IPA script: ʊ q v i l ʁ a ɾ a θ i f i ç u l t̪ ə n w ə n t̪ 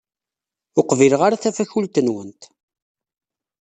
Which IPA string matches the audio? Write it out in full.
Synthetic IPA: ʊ q v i l ʁ a ɾ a θ æ f æ ç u l t̪ ə n w ə n t̪

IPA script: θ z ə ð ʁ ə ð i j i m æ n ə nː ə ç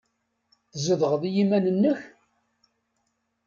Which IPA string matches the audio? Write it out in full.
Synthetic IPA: θ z ə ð ʁ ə ð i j i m æ n ə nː ə ç

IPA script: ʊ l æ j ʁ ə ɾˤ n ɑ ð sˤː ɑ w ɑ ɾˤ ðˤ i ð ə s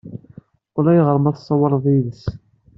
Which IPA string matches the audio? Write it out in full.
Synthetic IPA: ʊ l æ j ʁ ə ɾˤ m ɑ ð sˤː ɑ w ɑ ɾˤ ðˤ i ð ə s

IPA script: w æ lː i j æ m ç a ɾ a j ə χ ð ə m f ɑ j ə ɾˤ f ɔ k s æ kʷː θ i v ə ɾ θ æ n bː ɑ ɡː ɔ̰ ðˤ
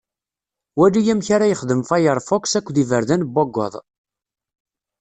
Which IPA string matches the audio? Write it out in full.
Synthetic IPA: w æ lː i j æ m ç a ɾ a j ə χ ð ə m f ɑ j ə ɾˤ f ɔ k s æ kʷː ð i v ə ɾ ð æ n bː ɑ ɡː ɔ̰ ðˤ

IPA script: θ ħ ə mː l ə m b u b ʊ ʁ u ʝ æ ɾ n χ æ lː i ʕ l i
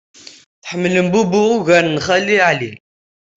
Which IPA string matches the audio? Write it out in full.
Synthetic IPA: θ ħ ə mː l ə m b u b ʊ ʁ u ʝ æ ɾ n χ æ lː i ʕ l i

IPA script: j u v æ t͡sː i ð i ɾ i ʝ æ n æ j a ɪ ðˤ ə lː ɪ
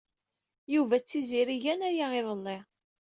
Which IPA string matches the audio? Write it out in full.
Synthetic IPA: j u v æ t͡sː i z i ɾ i ʝ æ n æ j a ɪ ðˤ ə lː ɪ

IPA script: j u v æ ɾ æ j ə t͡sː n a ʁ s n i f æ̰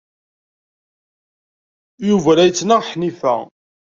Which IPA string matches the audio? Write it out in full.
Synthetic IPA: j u v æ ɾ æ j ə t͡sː n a ʁ ħ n i f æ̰

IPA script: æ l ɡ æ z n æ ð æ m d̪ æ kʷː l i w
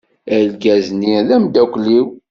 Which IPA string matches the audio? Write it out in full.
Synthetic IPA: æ l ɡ æ z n i ð æ m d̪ æ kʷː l i w

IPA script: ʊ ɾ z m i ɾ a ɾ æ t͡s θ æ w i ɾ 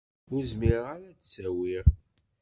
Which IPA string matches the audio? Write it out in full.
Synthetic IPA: ʊ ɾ z m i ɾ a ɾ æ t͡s s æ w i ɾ

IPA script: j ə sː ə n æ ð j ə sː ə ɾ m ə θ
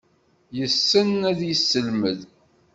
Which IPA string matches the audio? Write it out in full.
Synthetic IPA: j ə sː ə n æ ð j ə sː ə l m ə ð

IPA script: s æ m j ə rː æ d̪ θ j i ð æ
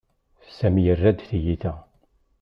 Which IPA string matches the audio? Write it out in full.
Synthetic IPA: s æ m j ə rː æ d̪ θ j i θ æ

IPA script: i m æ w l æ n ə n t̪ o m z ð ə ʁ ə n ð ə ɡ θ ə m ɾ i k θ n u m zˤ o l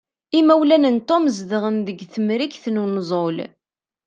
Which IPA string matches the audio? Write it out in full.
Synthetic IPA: i m æ w l æ n ə n t̪ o m z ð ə ʁ ə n ð ə ɡ θ ə m ɾ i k θ n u n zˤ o l

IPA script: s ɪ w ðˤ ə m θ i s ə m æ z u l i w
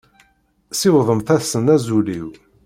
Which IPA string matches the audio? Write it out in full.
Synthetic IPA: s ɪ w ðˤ ə m θ æ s ə n æ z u l i w

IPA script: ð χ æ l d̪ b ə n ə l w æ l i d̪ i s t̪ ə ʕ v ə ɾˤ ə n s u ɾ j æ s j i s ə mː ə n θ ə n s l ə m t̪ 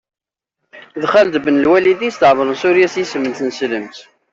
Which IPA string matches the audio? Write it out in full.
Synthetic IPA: ð χ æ l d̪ b ə n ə l w æ l i d̪ i s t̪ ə ʕ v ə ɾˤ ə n s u ɾ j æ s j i s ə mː ə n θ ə n s l ə m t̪

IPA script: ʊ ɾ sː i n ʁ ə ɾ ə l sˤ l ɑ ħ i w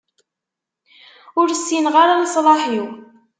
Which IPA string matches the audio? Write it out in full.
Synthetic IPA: ʊ ɾ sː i n ʁ a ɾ a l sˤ l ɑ ħ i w

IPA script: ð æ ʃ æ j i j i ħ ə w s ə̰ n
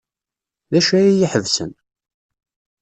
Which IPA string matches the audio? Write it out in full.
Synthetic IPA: ð æ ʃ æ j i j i ħ ə v s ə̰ n

